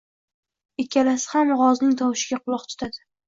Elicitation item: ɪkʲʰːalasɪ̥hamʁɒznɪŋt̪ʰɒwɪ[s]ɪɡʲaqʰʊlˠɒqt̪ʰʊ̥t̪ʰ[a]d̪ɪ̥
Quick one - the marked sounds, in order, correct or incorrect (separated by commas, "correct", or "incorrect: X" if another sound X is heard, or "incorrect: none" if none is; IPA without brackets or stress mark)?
incorrect: ʃ, correct